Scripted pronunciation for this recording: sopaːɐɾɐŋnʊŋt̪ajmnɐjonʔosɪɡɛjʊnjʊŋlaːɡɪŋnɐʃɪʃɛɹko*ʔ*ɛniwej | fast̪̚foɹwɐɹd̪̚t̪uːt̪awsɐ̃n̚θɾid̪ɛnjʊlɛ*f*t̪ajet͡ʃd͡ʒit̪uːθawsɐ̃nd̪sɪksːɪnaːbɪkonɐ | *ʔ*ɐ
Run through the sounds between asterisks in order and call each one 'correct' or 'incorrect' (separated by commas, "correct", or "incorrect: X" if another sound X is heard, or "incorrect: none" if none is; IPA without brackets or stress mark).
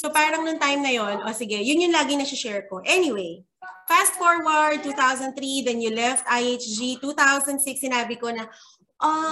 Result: correct, correct, correct